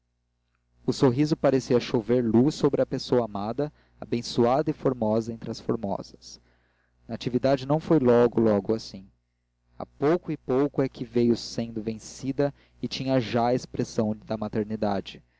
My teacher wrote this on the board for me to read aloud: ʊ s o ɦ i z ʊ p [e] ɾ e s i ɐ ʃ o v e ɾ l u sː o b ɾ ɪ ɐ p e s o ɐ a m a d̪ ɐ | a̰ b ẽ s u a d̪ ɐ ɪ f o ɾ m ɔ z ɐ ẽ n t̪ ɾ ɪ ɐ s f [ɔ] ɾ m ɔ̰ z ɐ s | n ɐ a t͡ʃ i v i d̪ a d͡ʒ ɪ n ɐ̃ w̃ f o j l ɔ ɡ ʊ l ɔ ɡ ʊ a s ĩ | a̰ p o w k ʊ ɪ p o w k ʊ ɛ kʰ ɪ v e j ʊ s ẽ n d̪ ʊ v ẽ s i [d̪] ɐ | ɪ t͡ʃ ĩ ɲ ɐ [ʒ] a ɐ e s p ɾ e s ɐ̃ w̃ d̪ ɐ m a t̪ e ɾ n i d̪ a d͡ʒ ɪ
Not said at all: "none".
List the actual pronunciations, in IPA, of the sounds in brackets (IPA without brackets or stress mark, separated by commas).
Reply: a, o, d̪, ʒ